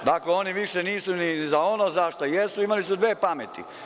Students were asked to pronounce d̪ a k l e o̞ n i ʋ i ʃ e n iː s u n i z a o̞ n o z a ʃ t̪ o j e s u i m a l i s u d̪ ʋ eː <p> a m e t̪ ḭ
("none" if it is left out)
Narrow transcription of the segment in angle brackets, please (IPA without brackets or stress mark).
p